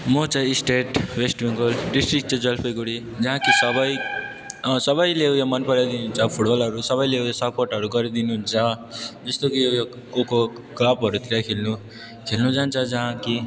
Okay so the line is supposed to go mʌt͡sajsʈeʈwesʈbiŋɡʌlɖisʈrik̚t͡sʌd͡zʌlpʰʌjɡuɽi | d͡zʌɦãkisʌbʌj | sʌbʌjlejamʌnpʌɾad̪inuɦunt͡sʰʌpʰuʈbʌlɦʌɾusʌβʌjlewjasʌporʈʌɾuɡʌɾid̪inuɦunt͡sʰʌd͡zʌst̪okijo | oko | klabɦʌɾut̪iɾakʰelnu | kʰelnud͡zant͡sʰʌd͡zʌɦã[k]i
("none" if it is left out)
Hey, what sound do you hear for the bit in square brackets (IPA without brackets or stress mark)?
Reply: k